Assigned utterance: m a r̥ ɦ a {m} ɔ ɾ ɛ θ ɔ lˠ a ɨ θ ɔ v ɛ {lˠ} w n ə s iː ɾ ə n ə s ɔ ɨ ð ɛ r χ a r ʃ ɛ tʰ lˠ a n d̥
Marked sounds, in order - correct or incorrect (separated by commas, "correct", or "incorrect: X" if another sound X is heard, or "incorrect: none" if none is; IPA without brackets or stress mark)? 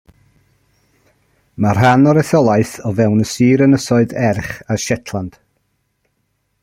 incorrect: n, incorrect: none